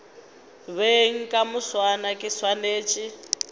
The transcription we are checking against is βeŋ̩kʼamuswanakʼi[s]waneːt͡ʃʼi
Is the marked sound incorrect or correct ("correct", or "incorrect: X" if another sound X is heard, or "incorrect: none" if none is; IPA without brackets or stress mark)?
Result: correct